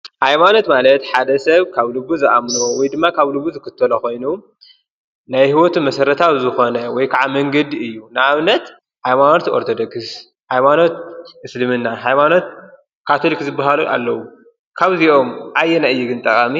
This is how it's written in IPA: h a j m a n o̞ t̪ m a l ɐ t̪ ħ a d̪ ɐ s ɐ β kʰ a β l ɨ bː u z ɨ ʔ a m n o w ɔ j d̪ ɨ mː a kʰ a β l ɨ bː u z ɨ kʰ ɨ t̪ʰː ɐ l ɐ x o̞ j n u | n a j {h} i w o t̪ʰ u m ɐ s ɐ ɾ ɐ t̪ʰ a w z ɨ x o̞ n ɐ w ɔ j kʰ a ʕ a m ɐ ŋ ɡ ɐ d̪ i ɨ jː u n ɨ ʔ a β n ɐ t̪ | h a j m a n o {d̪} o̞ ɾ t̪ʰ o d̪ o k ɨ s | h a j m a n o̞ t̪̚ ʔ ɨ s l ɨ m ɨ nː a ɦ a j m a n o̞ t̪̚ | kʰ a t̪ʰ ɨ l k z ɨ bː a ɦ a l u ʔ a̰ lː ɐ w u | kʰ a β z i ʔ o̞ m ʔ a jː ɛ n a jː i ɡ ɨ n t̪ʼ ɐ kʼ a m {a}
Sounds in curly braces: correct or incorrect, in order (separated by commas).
correct, incorrect, incorrect